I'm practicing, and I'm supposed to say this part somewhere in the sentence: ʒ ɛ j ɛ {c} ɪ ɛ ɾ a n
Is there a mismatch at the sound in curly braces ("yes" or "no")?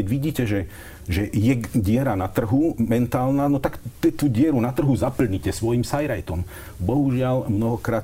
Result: yes